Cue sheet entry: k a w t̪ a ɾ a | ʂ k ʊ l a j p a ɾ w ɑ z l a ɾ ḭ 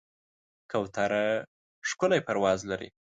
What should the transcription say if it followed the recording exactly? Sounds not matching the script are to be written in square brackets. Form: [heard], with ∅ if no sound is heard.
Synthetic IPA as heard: k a w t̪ a ɾ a | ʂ k ʊ l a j p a ɾ w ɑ z l a ɾ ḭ

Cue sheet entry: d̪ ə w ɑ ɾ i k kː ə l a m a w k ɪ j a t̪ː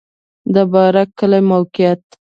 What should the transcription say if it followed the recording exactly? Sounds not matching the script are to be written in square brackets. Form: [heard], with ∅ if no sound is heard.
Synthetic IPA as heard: d̪ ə [b] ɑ ɾ [a] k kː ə l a m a w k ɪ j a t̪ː

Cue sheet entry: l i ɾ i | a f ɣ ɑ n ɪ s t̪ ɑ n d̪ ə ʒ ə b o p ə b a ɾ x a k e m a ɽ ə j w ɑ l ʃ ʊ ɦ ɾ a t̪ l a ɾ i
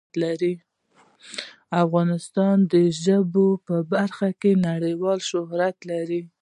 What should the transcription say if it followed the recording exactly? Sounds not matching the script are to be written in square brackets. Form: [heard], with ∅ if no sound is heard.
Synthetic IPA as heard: l [a] ɾ i | a f ɣ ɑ n ɪ s t̪ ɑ n d̪ ə ʒ ə b o p ə b a ɾ x a k e [n] a ɽ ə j w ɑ l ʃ ʊ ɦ ɾ a t̪ l a ɾ i

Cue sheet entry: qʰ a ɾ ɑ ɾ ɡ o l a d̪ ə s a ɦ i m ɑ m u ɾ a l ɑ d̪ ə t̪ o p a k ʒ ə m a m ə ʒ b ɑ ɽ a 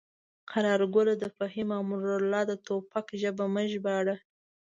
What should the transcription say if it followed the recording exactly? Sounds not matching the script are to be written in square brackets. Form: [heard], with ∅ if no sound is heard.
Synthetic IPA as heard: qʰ a ɾ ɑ ɾ ɡ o l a d̪ ə [f] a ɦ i m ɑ m u ɾ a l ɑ d̪ ə t̪ o p a k ʒ ə [b] a m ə ʒ b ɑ ɽ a

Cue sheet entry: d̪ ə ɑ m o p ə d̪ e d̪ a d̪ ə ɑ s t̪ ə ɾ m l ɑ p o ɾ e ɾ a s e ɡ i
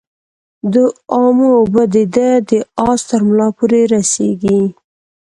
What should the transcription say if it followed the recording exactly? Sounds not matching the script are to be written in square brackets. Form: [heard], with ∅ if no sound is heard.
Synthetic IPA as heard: d̪ ə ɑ m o [b] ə d̪ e d̪ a d̪ ə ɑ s t̪ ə ɾ m l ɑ p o ɾ e ɾ a s e ɡ i

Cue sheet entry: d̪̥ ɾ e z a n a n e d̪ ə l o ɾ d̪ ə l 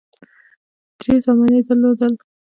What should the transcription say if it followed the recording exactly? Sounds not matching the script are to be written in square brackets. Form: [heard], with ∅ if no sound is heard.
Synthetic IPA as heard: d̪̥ ɾ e z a [m] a n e d̪ ə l o [∅] d̪ ə l

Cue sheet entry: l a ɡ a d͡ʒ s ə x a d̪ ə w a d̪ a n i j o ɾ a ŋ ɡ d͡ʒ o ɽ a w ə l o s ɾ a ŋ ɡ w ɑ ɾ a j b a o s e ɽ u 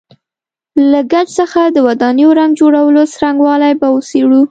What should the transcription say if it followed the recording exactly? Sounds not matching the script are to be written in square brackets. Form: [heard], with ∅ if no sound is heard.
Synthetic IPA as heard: l a ɡ a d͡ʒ s ə x a d̪ ə w a d̪ [ɑ] n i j o ɾ a ŋ ɡ d͡ʒ o ɽ a w ə l o s ɾ a ŋ ɡ w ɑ [l] a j b a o s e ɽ u

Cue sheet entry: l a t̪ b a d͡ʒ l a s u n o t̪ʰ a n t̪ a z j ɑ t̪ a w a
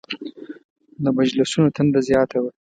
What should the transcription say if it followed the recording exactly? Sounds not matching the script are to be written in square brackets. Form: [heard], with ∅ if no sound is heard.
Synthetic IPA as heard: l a [∅] b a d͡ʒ l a s u n o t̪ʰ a n [d̪] a z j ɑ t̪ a w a

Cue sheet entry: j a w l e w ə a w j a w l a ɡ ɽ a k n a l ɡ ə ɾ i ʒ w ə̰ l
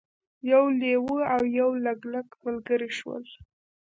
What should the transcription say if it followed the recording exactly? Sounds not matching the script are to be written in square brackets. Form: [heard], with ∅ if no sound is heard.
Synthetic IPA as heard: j a w l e w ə a w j a w l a ɡ [l] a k [m] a l ɡ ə ɾ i [ʃ] w ə̰ l

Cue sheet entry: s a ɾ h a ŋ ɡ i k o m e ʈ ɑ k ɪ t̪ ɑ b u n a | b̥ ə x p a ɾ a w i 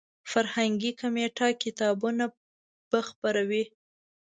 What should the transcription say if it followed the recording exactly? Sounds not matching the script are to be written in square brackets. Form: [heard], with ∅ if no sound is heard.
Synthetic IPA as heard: [f] a ɾ h a ŋ ɡ i k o m e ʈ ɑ k ɪ t̪ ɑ b u n a | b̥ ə x p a ɾ a w i

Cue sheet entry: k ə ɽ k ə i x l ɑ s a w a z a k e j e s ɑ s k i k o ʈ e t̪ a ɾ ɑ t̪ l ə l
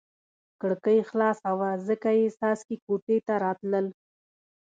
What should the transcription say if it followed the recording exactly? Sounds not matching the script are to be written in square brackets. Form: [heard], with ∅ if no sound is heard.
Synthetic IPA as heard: k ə ɽ k ə [j] x l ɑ s a w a z [ə] k [a] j e s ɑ s k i k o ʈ e t̪ a ɾ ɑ t̪ l ə l

